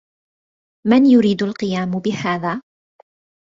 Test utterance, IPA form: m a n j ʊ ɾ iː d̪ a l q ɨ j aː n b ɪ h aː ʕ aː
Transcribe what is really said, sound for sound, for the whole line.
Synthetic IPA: m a n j ʊ ɾ iː d̪ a l q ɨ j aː m b ɪ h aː ð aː